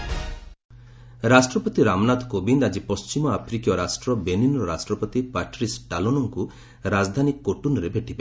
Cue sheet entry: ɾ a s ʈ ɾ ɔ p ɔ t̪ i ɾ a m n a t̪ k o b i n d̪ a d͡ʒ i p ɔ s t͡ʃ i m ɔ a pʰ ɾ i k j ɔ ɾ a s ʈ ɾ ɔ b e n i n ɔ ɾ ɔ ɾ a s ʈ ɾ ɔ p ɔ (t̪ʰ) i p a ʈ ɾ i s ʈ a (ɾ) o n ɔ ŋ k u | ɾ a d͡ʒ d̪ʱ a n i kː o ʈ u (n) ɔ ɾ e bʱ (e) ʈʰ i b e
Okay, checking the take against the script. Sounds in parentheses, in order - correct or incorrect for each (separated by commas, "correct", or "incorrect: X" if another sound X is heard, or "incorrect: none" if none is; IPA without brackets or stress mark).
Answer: incorrect: t̪, incorrect: l, correct, correct